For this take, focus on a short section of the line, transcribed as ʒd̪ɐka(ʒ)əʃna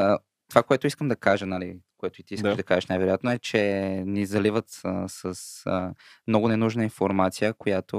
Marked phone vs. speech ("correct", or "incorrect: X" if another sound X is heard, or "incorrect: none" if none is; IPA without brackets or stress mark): correct